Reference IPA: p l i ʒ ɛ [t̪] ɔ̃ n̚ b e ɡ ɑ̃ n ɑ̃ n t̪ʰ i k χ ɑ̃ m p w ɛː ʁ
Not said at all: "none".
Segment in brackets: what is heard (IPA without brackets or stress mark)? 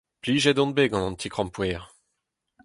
d̪